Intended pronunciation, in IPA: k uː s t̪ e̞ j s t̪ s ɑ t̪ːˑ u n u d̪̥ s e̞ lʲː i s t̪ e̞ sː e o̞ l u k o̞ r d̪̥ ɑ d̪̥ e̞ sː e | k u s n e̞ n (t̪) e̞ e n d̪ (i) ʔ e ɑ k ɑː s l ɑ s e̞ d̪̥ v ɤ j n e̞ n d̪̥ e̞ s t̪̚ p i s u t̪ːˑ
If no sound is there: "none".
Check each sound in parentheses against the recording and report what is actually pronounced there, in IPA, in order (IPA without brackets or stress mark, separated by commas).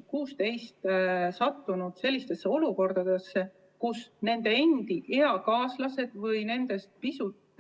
d̪, i